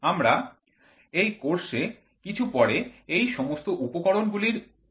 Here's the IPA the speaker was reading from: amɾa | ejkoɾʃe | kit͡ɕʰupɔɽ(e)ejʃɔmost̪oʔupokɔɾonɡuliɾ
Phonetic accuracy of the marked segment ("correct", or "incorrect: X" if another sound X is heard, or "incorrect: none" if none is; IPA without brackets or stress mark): correct